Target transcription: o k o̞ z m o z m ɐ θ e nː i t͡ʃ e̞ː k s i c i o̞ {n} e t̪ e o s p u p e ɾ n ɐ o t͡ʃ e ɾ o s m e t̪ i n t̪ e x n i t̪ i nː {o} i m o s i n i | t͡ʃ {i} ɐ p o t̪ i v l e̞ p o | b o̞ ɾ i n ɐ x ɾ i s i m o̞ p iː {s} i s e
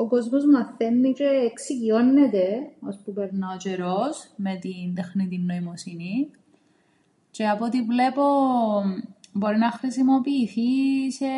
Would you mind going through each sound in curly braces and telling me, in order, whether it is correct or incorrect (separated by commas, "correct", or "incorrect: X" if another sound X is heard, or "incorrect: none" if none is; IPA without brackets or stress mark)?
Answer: incorrect: nː, correct, incorrect: e, incorrect: θ